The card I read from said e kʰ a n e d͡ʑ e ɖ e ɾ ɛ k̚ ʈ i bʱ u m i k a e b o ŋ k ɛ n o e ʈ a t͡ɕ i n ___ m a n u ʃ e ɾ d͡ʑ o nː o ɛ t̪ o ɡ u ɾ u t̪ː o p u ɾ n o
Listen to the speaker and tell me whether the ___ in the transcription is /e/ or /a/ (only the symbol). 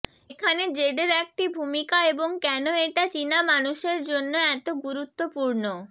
a